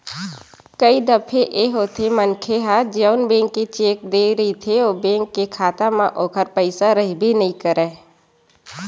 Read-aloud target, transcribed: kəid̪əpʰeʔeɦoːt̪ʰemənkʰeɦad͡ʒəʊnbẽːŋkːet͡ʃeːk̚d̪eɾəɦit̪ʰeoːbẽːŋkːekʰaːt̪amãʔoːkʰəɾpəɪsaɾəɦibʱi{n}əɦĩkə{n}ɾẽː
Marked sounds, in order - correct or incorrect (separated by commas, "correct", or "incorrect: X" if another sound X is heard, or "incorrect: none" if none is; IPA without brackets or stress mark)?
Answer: correct, incorrect: none